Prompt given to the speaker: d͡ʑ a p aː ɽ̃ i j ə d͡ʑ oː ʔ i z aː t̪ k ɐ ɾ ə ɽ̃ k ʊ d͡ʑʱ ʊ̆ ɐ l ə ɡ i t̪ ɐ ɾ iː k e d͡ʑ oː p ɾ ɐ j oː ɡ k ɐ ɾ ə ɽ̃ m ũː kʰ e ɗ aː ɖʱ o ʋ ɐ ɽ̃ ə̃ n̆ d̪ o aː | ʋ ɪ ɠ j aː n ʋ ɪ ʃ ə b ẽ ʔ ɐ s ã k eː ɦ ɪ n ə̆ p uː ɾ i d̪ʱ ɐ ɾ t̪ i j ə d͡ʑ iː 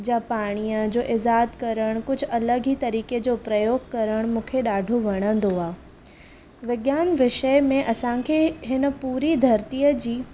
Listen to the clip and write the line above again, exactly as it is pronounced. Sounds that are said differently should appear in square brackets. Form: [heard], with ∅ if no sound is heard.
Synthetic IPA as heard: d͡ʑ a p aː ɽ̃ i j ə d͡ʑ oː ʔ [ɪ] z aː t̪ k ɐ ɾ ə ɽ̃ k ʊ d͡ʑʱ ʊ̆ ɐ l ə ɡ i t̪ ɐ ɾ iː k e d͡ʑ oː p ɾ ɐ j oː ɡ k ɐ ɾ ə ɽ̃ m ũː kʰ e ɗ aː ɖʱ o ʋ ɐ ɽ̃ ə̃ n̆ d̪ o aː | ʋ ɪ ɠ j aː n ʋ ɪ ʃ ə [m] ẽ ʔ ɐ s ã [kʰ] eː ɦ ɪ n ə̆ p uː ɾ i d̪ʱ ɐ ɾ t̪ i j ə d͡ʑ iː